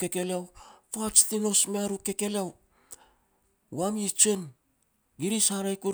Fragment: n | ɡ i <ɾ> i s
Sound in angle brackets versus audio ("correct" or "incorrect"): correct